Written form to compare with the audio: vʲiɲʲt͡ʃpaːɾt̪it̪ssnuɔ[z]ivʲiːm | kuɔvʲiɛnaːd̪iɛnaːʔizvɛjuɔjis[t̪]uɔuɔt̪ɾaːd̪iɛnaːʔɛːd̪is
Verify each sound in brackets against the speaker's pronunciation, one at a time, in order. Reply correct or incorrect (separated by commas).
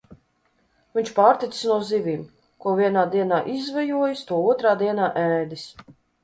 correct, correct